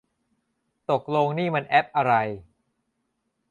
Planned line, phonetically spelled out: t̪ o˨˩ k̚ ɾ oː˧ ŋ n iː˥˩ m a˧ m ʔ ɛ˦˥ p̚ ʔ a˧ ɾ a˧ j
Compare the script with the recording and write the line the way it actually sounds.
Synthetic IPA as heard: t̪ o˨˩ k̚ l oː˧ ŋ n iː˥˩ m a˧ n ʔ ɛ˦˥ p̚ ʔ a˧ ɾ a˧ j